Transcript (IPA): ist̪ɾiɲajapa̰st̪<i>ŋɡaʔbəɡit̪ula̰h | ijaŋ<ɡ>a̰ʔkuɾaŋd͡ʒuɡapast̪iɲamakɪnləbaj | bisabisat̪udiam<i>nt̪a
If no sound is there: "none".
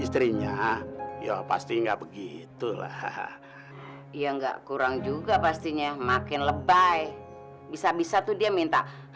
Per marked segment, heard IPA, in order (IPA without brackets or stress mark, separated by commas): i, ɡ, i